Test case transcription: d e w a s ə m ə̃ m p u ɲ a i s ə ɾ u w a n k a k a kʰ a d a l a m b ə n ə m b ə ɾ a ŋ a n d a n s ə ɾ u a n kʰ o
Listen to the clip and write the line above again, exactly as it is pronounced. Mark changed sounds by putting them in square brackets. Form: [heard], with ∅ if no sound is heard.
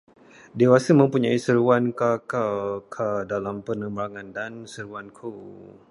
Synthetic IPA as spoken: d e w a s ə m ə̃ m p u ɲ a i s ə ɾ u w a n k a k a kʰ a d a l a m [p] ə n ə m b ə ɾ a ŋ a n d a n s ə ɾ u a n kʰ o